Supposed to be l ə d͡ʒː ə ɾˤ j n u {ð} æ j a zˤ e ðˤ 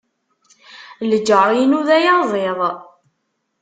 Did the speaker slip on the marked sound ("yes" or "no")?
no